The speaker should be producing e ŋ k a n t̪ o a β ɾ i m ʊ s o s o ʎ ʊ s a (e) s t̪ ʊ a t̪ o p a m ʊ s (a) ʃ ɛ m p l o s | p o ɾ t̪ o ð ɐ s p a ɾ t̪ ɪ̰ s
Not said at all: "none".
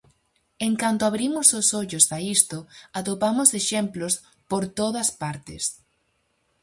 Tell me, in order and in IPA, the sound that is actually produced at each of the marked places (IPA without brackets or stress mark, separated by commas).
i, e